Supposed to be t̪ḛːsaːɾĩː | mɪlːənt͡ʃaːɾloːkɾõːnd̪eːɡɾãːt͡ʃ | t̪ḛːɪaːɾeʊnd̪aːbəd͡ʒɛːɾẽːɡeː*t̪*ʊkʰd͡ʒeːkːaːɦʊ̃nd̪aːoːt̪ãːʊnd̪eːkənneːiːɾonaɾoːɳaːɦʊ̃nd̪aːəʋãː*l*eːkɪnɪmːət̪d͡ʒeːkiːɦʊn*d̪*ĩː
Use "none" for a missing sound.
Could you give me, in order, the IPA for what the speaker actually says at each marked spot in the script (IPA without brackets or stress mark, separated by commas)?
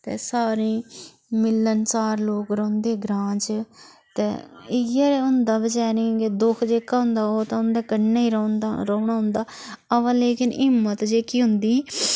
d̪, l, d̪